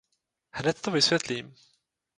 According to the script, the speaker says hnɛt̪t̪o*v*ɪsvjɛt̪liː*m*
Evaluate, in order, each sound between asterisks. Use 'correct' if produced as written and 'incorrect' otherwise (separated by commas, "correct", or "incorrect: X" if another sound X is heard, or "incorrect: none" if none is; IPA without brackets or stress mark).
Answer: correct, correct